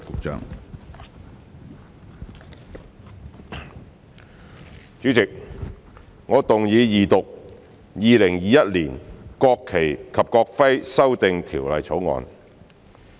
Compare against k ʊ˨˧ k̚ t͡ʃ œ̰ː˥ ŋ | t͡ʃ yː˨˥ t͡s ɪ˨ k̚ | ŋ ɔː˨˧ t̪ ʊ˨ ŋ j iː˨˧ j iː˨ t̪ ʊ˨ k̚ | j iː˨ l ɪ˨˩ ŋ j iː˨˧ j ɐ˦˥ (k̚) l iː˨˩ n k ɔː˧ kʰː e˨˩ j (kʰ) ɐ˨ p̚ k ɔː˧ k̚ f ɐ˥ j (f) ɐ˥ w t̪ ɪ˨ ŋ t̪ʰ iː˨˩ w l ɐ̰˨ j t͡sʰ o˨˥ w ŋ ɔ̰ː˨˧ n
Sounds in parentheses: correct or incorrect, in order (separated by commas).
incorrect, correct, incorrect